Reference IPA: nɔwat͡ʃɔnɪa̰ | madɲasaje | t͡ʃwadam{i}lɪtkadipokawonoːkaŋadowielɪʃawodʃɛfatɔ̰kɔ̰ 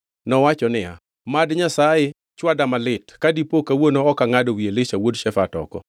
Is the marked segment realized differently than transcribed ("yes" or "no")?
yes